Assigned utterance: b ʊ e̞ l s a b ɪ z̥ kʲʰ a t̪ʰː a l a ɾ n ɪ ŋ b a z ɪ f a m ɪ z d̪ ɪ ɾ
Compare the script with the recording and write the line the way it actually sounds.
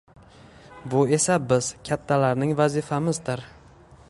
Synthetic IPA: b ʊ e̞ s a b ɪ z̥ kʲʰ a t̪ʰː a l a ɾ n ɪ ŋ v a z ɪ f a m ɪ z d̪ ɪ ɾ

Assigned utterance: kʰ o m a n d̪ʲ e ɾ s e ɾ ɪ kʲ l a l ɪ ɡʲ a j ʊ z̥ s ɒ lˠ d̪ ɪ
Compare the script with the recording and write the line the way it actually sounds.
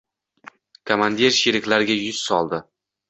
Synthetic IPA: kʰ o m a n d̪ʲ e ɾ ʃ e ɾ ɪ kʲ l a ɾ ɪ ɡʲ a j ʊ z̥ s ɒ lˠ d̪ ɪ

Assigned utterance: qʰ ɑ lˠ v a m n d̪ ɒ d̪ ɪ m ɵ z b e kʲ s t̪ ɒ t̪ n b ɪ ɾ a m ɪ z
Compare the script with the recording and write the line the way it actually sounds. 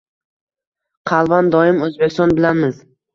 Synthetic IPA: qʰ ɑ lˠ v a n d̪ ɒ ɪ m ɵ z b e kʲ s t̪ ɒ n b ɪ l a m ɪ z

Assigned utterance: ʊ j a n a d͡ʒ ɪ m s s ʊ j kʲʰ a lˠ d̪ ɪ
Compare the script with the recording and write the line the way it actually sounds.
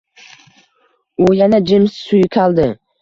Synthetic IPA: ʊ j a n a d͡ʒ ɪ m s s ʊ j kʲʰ a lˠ d̪ ɪ

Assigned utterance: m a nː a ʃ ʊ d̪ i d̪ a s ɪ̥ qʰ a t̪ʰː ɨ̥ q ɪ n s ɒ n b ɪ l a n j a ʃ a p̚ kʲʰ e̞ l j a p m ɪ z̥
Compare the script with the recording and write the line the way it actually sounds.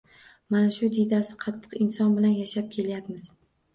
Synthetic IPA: m a n a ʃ ʊ d̪ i d̪ a s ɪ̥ qʰ ɑ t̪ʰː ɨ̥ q ɪ n s ɒ n b ɪ l a n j a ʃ a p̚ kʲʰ e̞ l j a p m ɪ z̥

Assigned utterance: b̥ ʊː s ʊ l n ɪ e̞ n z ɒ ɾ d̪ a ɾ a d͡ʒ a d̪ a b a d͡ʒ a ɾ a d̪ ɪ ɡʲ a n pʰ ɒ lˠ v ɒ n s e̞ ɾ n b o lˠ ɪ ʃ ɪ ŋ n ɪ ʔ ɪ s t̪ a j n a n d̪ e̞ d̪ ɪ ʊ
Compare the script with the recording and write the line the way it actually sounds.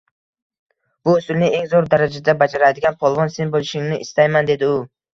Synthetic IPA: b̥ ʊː s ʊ l n ɪ e̞ ŋ z o ɾ d̪ a ɾ a d͡ʒ a d̪ a b a d͡ʒ a ɾ a d̪ ɪ ɡʲ a n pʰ ɒ lˠ v ɒ n s e̞ n b o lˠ ɪ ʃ ɪ ŋ n ɪ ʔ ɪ s t̪ a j m a n d̪ e̞ d̪ ɪ ʊ

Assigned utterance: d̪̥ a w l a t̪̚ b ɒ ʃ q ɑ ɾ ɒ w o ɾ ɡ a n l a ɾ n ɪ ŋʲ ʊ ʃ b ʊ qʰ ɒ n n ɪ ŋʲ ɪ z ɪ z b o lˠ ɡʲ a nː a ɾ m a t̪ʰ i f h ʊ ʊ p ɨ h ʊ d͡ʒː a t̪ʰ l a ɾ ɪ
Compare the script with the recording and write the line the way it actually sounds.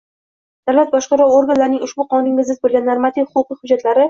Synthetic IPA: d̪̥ a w l a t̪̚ b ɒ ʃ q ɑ ɾ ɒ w o ɾ ɡ a n l a ɾ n ɪ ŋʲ ʊ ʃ b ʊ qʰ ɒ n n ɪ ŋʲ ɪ z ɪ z b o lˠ ɡʲ a nː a ɾ m a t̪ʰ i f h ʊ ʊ q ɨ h ʊ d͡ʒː a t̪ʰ l a ɾ ɪ

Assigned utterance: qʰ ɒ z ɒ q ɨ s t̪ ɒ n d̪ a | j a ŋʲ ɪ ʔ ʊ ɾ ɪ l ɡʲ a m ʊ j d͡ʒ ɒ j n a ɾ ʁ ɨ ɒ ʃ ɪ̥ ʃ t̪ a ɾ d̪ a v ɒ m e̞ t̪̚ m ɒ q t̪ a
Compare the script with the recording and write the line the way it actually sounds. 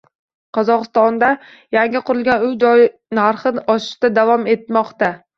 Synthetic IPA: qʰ ɒ z ɒ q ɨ s t̪ ɒ n d̪ a | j a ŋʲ ɪ q ʊ ɾ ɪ l ɡʲ a n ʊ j d͡ʒ ɒ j n a ɾ χ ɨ ɒ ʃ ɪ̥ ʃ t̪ a d̪ a v ɒ m e̞ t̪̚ m ɒ q t̪ a

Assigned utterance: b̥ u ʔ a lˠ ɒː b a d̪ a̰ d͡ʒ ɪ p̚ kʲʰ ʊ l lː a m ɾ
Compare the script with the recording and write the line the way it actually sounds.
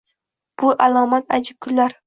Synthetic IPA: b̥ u ʔ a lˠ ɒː m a t̪ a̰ d͡ʒ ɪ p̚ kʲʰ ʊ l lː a ɾ

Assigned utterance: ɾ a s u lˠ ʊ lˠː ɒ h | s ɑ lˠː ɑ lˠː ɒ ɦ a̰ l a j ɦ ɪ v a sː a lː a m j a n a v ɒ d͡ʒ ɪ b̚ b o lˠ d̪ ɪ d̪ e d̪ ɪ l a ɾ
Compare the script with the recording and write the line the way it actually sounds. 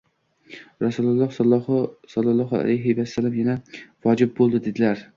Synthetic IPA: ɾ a s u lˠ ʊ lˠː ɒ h | s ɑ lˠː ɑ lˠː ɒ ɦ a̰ l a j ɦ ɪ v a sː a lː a m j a n a v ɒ d͡ʒ ɪ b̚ b o lˠ d̪ ɪ d̪ e d̪ ɪ l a ɾ

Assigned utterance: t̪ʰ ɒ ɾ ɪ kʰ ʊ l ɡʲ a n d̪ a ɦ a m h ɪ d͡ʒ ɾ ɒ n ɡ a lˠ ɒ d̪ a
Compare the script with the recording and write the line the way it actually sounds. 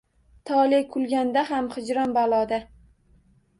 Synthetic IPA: t̪ʰ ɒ l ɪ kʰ ʊ l ɡʲ a n d̪ a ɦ a m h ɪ d͡ʒ ɾ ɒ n b a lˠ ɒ d̪ a

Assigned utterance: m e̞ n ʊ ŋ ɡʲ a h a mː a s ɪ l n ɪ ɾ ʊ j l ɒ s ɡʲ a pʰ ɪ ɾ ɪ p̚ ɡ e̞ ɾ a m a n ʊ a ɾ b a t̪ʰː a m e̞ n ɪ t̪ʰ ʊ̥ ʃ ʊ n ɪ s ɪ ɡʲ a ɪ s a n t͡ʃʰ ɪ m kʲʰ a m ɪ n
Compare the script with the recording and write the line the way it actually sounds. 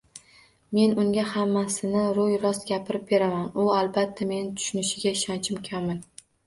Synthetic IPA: m e̞ n ʊ ŋ ɡʲ a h a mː a s ɪ n ɪ ɾ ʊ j ɾ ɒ s ɡʲ a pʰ ɪ ɾ ɪ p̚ b e̞ ɾ a m a n ʊ a l b a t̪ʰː a m e̞ n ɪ t̪ʰ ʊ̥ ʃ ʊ n ɪ ʃ ɪ ɡʲ a ɪ ʃ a n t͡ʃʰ ɪ m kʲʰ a m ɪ n

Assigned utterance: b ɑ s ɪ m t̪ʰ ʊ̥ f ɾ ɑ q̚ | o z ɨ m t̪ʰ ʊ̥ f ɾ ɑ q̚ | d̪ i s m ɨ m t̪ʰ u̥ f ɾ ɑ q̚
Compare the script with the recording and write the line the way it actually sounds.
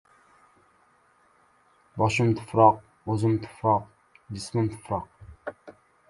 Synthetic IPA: b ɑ ʃ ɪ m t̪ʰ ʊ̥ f ɾ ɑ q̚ | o z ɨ m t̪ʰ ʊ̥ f ɾ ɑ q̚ | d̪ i s m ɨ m t̪ʰ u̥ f ɾ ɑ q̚

